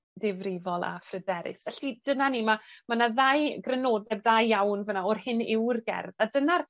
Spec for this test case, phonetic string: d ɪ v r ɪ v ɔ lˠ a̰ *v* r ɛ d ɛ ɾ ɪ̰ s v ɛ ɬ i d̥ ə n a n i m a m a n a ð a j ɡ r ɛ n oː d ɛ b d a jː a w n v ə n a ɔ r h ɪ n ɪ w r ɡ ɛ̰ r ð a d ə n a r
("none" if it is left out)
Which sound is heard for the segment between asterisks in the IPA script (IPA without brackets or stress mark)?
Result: f